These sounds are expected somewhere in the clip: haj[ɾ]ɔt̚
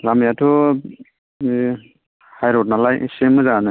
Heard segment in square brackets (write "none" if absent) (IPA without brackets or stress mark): ɾ